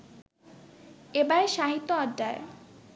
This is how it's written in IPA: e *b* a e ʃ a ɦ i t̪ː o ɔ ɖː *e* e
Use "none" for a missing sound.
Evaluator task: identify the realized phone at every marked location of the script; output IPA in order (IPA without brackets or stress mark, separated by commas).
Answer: b, a